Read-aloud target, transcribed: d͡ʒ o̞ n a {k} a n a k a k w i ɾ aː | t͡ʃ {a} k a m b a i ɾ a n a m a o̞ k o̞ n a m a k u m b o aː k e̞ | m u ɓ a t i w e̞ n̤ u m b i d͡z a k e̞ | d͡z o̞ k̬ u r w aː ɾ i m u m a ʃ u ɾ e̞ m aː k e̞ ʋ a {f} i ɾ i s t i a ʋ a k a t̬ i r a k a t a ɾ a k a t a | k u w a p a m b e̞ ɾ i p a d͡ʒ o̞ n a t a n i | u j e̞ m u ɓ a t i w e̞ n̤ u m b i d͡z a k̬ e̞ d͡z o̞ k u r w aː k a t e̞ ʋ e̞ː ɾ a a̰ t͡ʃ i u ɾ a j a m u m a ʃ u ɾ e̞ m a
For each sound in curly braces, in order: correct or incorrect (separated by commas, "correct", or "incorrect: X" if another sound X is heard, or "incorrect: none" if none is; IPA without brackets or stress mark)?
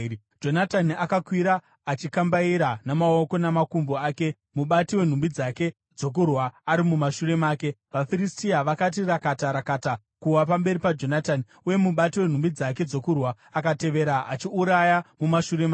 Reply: incorrect: t, incorrect: i, correct